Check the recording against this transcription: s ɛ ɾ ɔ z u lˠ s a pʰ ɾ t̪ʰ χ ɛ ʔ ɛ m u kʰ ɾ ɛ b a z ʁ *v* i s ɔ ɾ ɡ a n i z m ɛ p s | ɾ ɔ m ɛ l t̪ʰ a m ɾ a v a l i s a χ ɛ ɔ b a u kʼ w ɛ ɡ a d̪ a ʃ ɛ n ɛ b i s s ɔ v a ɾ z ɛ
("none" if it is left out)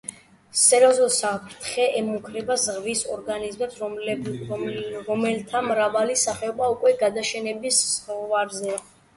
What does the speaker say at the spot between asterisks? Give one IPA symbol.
v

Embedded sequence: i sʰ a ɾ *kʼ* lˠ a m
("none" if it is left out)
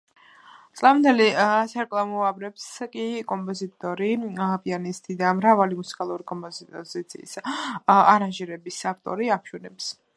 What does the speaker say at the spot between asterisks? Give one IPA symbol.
kʼ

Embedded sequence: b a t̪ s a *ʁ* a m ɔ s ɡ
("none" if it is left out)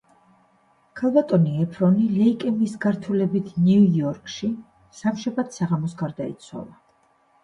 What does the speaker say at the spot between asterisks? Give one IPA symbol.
ʁ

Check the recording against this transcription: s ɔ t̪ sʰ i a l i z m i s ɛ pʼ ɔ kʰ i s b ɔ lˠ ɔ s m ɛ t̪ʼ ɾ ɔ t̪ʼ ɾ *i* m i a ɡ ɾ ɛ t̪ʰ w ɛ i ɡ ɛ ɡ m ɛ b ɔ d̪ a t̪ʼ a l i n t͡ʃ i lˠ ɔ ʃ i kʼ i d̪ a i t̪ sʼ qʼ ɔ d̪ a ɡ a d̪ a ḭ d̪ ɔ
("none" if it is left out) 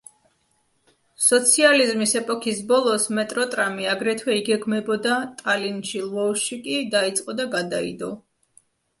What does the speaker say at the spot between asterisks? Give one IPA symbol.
a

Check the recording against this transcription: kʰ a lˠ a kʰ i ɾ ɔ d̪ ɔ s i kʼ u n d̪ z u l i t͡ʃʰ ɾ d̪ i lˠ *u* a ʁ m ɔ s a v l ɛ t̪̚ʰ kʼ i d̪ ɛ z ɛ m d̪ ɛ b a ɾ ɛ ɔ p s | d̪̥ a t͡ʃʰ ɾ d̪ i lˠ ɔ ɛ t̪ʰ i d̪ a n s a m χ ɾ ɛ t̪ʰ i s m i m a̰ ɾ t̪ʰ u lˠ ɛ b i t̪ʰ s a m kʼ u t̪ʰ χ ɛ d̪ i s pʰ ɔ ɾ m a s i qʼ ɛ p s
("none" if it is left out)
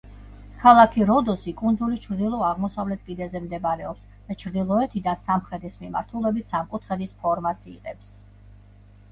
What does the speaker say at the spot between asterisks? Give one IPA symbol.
ɔ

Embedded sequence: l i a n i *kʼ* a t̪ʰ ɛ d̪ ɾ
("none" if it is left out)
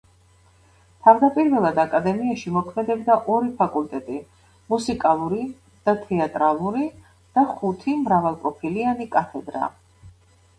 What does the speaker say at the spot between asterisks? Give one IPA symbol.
kʼ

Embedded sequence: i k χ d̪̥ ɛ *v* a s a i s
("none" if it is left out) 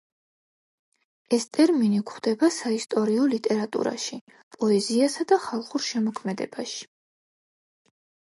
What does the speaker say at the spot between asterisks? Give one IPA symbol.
b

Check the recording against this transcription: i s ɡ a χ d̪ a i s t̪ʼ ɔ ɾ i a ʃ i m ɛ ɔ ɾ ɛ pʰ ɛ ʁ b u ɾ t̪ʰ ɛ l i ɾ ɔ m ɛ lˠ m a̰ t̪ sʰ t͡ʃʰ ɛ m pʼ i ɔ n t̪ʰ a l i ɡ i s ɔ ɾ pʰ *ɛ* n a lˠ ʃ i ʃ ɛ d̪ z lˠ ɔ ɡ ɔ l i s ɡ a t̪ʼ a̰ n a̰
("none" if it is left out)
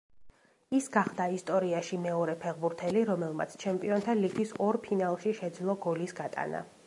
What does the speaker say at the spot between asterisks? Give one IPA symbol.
i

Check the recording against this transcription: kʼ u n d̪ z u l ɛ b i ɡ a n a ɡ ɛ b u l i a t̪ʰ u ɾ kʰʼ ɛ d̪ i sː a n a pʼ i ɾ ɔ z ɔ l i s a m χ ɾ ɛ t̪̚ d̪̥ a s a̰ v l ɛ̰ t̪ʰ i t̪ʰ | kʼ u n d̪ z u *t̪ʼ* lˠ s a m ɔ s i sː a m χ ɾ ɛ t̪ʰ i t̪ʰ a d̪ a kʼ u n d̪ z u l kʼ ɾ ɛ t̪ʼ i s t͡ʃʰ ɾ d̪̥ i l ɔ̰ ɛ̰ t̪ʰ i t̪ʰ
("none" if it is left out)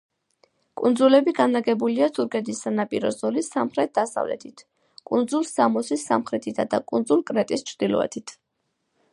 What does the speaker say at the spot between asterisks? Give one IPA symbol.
none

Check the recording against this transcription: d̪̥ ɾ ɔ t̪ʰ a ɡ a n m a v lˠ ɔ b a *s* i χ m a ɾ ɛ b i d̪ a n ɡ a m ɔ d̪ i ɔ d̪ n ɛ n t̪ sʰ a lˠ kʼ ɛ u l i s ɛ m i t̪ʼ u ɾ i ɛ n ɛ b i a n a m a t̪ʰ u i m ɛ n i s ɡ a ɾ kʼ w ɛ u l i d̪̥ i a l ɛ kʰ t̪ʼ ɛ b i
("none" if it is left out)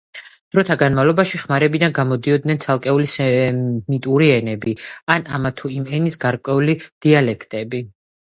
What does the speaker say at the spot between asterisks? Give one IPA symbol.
ʃ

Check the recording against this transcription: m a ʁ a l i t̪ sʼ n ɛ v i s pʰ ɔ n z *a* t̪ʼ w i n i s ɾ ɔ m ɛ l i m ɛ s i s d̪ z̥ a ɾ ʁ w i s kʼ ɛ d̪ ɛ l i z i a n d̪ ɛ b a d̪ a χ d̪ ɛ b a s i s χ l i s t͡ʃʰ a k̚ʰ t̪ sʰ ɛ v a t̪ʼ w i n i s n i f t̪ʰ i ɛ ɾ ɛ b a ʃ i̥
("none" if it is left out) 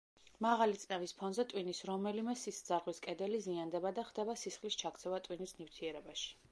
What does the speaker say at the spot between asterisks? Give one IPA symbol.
ɛ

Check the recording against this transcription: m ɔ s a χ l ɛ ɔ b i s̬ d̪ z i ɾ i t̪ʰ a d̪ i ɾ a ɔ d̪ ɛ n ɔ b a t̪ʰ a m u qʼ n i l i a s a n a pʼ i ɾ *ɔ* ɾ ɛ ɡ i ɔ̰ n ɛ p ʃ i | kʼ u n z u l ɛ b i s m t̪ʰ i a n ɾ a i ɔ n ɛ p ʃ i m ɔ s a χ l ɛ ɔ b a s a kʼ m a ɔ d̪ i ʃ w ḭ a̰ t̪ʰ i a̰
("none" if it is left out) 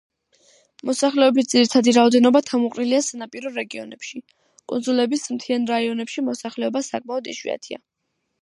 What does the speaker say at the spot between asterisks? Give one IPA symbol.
ɔ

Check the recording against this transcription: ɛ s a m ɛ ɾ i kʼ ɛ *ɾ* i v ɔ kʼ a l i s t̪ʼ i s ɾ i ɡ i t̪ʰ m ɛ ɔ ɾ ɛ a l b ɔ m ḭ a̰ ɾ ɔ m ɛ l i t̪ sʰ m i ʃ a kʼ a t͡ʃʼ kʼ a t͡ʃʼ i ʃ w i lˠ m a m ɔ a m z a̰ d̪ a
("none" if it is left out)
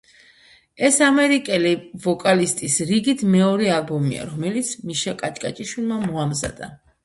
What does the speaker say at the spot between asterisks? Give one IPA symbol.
l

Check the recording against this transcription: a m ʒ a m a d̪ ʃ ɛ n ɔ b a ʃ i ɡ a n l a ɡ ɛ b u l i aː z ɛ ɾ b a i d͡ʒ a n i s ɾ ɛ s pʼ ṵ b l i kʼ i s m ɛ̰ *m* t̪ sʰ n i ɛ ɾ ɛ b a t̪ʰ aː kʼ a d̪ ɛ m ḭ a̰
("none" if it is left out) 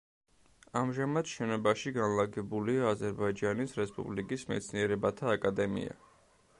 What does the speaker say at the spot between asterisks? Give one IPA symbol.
none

